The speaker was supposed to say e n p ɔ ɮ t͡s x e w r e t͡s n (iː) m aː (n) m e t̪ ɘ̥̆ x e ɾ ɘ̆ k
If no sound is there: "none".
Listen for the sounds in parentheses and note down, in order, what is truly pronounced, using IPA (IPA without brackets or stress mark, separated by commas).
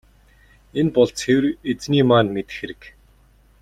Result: iː, n